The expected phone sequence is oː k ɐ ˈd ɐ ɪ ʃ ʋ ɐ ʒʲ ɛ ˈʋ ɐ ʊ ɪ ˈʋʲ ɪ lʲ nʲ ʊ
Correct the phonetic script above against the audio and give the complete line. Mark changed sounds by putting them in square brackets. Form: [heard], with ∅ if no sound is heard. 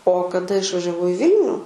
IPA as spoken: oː k ɐ ˈd ɐ ɪ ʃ ʋ ɐ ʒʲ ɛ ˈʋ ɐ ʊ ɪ ˈʋʲ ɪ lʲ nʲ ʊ